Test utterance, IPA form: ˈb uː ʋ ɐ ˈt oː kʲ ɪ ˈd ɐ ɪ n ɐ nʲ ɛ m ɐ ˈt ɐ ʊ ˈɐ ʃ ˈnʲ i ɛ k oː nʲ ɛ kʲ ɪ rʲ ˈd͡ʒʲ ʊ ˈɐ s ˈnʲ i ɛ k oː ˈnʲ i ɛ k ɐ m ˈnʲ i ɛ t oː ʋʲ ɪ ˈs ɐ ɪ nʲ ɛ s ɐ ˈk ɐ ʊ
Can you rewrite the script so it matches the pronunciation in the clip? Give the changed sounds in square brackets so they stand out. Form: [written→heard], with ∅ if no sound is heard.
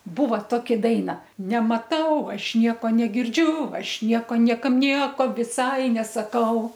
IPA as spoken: ˈb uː ʋ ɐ ˈt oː kʲ ɪ ˈd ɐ ɪ n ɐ nʲ ɛ m ɐ ˈt ɐ ʊ ˈɐ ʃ ˈnʲ i ɛ k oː nʲ ɛ [kʲ→ɡʲ] ɪ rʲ ˈd͡ʒʲ ʊ ˈɐ [s→ʃ] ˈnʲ i ɛ k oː ˈnʲ i ɛ k ɐ m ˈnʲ i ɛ [t→k] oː ʋʲ ɪ ˈs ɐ ɪ nʲ ɛ s ɐ ˈk ɐ ʊ